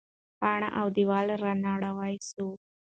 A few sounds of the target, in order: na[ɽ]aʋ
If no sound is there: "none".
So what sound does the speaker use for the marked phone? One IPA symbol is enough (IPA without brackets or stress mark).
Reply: ɽ